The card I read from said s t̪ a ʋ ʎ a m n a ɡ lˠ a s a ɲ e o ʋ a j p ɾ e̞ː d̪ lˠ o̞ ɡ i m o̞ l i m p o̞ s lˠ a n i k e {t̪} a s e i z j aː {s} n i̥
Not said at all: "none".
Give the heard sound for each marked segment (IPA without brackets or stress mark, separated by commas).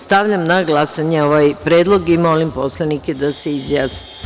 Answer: d̪, s